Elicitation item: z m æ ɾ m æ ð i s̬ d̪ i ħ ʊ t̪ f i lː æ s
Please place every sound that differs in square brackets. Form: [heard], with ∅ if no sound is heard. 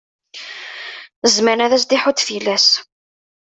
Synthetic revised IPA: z m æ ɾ [n] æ ð [æ] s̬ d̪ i ħ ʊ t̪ f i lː æ s